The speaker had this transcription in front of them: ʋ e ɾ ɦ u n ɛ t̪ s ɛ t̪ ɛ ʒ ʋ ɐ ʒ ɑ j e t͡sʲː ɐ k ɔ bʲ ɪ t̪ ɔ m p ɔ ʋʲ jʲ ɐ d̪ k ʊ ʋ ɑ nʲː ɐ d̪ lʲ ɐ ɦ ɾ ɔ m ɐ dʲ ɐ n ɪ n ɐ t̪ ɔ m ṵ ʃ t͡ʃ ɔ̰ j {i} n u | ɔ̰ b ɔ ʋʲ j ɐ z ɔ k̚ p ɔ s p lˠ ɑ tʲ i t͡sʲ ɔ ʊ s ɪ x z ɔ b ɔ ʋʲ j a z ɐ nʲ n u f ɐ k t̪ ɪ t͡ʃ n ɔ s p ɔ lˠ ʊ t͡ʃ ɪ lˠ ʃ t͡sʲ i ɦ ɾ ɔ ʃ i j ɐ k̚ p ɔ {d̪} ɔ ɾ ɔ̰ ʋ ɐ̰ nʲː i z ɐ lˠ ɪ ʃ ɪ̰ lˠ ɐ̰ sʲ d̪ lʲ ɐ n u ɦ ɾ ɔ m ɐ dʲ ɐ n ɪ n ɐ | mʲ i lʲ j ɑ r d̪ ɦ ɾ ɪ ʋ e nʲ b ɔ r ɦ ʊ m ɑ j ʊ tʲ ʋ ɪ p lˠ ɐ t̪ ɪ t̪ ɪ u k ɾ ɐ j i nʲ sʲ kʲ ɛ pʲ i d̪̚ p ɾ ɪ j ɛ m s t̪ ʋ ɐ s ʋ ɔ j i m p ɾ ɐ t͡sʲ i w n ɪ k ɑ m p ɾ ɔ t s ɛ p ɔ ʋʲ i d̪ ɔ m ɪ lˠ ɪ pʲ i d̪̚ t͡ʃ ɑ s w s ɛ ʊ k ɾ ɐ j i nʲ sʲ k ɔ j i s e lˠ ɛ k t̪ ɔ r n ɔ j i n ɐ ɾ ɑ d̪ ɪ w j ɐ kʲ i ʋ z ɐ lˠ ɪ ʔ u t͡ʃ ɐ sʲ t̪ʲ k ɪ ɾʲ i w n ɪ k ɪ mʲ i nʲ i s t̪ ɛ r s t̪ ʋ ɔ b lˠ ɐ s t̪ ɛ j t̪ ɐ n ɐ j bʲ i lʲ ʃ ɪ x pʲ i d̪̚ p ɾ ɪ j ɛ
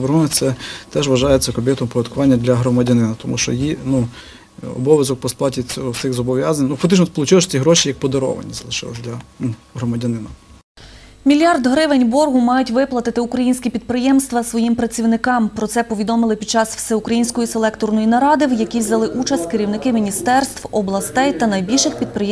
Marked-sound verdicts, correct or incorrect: correct, correct

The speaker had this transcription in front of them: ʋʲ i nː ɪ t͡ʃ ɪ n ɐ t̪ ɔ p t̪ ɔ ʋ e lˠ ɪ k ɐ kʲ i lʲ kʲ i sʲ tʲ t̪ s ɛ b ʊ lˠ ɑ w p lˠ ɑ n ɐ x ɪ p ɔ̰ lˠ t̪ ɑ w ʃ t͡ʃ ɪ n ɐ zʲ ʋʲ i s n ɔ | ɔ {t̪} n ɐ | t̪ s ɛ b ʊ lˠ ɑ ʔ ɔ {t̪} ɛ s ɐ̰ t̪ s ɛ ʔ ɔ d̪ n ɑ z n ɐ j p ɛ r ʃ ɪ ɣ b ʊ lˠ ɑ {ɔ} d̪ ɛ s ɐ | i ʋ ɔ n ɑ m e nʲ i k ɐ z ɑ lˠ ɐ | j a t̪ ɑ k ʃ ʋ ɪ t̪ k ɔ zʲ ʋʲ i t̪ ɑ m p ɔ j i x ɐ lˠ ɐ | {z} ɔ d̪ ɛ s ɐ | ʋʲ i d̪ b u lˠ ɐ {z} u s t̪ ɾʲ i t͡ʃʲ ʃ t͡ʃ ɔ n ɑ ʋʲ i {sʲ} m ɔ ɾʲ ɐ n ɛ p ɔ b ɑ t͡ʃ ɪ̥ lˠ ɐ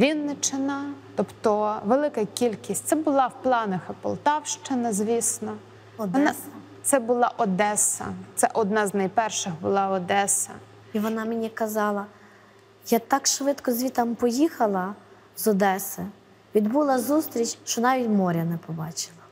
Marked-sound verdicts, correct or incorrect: incorrect, incorrect, correct, correct, correct, incorrect

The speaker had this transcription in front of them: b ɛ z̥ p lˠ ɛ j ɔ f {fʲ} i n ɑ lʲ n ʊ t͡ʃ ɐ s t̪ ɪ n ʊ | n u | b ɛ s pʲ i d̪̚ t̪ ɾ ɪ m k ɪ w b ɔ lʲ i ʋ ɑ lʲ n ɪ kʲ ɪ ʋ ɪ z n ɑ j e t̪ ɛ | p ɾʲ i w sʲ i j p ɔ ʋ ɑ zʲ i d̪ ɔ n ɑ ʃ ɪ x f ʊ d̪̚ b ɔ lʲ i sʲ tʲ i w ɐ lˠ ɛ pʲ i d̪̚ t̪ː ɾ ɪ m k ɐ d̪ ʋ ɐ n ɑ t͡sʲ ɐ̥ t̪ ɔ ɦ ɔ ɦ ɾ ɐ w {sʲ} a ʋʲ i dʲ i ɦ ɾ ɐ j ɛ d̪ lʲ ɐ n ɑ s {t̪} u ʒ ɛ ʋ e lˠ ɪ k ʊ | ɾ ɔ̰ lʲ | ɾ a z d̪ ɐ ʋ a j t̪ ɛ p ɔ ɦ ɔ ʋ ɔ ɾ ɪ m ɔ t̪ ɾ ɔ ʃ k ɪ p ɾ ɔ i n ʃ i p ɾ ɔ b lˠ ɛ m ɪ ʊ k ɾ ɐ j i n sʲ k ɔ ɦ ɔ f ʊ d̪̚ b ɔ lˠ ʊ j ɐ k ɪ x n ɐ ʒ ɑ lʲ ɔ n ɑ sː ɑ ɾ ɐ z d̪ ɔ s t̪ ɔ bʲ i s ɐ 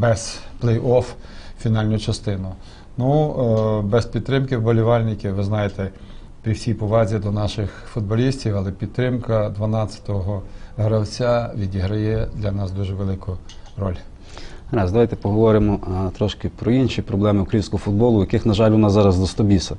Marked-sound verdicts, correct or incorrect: correct, incorrect, incorrect

